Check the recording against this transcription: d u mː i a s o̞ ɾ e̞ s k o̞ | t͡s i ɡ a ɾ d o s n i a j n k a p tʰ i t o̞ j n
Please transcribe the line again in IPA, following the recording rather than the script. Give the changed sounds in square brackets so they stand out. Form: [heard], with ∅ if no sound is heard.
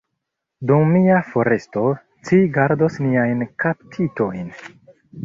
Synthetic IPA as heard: d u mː i a [f] o̞ ɾ e̞ s [t] o̞ | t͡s i ɡ a ɾ d o s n i a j n k a p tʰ i t o̞ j n